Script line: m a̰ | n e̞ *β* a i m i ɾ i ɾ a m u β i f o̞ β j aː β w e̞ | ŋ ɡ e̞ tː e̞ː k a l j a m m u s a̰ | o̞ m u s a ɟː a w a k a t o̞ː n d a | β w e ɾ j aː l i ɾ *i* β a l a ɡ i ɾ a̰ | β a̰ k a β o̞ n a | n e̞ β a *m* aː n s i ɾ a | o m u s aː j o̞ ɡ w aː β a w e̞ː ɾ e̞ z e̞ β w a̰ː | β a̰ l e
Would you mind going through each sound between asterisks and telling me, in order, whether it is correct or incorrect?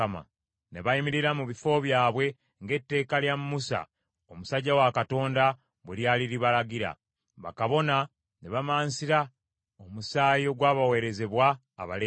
correct, correct, correct

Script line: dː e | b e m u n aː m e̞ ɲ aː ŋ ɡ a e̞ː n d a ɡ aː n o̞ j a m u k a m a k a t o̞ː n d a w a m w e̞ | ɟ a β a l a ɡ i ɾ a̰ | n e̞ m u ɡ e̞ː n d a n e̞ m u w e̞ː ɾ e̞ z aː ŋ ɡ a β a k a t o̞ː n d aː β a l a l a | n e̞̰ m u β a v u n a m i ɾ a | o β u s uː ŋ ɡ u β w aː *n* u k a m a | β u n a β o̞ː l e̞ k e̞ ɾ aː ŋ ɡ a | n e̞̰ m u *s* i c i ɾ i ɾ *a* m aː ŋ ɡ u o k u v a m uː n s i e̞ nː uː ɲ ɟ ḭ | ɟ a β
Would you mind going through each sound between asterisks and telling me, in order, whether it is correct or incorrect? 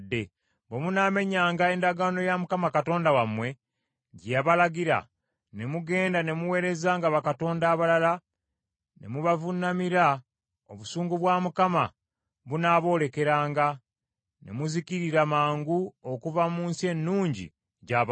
incorrect, incorrect, correct

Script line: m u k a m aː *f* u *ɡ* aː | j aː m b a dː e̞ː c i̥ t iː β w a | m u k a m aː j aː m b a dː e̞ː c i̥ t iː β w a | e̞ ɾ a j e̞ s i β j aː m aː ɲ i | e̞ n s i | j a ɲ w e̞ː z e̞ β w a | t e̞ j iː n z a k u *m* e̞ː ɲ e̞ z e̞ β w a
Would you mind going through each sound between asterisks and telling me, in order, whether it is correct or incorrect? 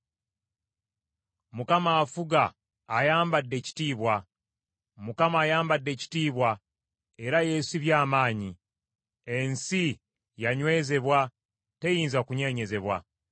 correct, correct, incorrect

